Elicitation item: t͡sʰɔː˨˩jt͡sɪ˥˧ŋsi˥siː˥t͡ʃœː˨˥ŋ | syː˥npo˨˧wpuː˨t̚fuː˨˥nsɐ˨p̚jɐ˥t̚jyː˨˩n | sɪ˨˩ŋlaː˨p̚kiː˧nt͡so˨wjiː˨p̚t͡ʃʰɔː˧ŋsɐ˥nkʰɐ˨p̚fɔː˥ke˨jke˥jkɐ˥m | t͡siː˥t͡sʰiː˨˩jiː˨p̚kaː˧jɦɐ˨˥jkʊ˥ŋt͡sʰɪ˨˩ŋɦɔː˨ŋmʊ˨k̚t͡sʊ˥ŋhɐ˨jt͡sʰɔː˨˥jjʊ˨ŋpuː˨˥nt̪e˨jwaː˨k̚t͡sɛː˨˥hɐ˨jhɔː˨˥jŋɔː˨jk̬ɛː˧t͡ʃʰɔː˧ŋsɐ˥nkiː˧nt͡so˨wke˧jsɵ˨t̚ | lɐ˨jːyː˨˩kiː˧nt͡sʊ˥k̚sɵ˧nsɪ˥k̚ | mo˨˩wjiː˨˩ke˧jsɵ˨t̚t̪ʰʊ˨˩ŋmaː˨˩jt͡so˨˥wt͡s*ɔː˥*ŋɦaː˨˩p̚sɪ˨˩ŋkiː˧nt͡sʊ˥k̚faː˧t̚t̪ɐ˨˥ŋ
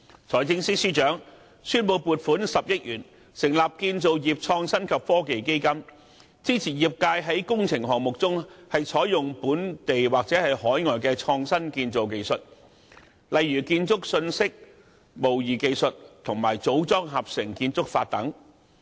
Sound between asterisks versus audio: correct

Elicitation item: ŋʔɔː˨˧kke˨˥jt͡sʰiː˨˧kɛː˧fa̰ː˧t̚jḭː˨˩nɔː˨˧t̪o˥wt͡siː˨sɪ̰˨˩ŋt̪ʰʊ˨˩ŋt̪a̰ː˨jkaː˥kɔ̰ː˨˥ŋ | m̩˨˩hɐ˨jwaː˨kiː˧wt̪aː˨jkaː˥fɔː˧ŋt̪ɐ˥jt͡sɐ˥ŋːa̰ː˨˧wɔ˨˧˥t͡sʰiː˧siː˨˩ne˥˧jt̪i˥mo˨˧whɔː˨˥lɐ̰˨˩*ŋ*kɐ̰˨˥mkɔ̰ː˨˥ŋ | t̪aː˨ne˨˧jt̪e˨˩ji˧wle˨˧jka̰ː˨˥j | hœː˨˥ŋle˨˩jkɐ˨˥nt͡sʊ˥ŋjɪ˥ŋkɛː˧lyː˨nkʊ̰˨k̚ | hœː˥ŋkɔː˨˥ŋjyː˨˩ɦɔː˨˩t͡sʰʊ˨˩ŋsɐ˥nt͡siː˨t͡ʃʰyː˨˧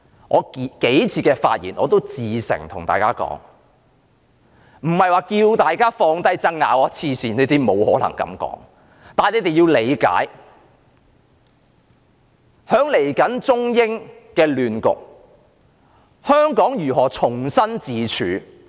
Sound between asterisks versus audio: correct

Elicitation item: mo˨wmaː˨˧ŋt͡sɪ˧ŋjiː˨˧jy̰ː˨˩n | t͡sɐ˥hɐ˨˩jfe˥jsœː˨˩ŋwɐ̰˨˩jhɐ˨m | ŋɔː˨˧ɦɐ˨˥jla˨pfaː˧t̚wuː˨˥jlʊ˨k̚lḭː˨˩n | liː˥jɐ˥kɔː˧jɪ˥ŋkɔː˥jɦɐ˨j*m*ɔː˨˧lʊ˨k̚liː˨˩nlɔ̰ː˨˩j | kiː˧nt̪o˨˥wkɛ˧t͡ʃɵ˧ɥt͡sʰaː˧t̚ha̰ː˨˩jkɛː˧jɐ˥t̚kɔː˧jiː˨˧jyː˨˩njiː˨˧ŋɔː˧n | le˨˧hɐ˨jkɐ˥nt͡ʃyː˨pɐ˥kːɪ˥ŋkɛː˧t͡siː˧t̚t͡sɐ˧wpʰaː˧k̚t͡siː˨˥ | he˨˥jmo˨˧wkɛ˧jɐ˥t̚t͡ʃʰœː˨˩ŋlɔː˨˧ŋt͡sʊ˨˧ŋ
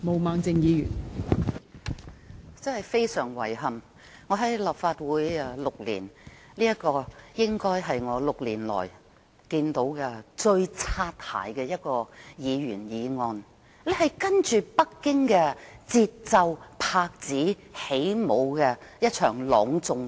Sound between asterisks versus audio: incorrect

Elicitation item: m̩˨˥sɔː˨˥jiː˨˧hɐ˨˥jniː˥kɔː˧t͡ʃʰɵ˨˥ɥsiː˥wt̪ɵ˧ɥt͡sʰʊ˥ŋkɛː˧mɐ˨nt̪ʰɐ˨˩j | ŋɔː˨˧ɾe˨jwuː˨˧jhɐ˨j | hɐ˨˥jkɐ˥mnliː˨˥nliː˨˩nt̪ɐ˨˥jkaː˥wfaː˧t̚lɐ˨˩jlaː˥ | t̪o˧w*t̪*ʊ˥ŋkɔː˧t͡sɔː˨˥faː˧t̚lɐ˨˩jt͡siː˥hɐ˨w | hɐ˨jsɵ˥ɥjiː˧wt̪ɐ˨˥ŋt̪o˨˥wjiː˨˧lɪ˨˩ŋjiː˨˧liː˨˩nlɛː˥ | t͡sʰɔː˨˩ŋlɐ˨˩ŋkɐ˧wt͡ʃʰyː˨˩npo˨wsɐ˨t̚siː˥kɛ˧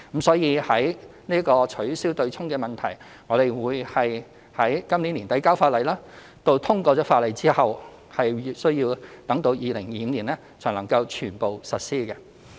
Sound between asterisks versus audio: incorrect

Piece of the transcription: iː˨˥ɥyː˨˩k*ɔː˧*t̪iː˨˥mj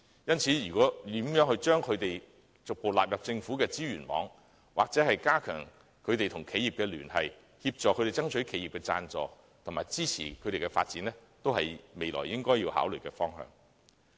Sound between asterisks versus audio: incorrect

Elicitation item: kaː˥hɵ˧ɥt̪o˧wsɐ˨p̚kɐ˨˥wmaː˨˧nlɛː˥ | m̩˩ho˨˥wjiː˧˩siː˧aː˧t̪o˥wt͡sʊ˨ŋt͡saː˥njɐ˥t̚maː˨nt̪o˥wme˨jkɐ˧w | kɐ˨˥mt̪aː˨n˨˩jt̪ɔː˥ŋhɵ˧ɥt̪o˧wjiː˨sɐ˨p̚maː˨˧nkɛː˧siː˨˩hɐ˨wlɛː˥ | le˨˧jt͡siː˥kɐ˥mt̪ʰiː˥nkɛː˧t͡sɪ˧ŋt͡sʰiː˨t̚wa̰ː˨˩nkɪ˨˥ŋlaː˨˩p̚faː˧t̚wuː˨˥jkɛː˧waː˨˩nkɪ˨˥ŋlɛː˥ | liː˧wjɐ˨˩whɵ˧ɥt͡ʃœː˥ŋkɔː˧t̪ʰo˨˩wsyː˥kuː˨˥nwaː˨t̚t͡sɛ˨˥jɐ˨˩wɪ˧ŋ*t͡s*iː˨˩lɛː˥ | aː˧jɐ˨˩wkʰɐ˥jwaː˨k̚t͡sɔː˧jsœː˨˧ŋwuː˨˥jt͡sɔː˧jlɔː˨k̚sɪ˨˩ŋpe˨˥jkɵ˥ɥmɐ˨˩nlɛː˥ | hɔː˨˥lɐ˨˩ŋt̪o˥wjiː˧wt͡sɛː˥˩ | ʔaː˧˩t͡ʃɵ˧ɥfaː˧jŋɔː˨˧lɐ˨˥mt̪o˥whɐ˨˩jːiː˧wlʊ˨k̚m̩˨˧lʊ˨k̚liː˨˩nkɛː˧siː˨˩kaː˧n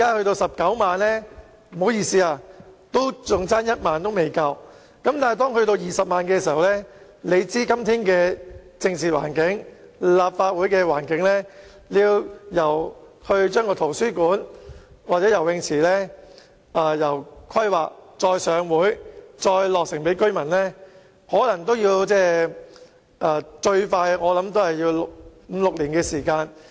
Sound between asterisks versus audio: incorrect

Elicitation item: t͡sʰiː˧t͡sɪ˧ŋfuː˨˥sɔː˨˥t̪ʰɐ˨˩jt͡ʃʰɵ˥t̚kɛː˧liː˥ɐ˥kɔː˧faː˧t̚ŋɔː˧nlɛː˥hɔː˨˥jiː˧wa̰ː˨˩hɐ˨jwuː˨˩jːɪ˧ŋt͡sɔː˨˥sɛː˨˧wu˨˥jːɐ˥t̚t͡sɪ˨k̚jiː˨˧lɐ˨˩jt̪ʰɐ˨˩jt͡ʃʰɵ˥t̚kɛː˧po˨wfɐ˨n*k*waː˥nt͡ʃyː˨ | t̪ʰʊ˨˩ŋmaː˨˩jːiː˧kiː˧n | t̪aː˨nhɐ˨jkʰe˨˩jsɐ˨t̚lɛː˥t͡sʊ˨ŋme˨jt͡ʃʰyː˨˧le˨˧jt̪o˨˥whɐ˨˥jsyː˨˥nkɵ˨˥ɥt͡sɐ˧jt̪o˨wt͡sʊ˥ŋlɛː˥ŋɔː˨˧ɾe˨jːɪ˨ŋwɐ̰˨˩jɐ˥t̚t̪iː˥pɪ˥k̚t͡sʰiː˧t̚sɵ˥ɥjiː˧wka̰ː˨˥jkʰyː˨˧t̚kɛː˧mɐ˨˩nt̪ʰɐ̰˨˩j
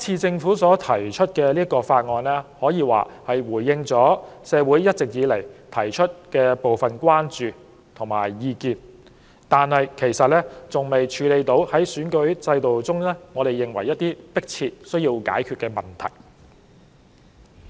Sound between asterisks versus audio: correct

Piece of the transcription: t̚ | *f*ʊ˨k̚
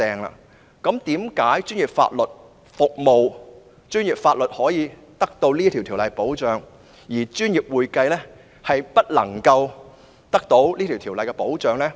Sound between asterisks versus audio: correct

